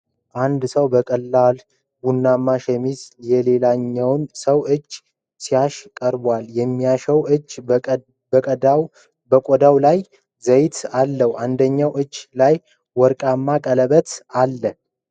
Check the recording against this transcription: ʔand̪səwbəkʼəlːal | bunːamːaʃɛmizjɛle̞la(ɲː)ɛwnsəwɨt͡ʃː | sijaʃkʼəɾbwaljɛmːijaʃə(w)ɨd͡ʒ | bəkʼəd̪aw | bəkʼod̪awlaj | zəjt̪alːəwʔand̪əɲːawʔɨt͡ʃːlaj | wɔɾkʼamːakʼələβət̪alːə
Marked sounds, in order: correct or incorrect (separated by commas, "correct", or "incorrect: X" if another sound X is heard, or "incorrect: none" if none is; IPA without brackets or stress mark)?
correct, correct